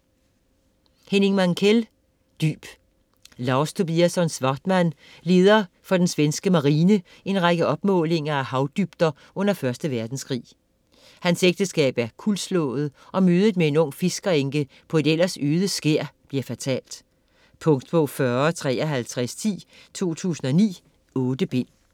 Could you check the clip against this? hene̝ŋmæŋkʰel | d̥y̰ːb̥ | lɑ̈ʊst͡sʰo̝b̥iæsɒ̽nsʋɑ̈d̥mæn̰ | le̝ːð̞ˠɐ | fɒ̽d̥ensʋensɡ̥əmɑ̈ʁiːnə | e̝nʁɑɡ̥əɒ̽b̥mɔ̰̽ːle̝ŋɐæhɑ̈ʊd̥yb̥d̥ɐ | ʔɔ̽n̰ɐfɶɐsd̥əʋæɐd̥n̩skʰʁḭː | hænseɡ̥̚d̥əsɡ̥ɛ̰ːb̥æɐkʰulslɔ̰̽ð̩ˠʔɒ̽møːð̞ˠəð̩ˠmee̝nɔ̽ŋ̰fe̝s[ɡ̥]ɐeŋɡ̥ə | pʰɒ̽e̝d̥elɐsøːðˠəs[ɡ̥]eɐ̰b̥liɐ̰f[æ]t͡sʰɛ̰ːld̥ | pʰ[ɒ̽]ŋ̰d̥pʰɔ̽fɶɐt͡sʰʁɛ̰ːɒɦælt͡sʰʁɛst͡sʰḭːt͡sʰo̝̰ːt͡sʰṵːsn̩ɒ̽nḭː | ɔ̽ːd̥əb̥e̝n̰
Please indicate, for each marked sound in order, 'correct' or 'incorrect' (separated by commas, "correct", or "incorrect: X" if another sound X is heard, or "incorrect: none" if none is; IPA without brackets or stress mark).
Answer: correct, correct, correct, incorrect: ɔ̽